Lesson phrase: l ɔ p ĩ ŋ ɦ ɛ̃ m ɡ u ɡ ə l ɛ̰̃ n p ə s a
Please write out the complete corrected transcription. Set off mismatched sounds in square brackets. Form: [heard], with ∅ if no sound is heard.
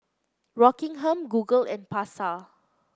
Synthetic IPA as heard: [ɹ] ɔ [k] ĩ ŋ ɦ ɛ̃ m ɡ u ɡ ə l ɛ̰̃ n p [a] s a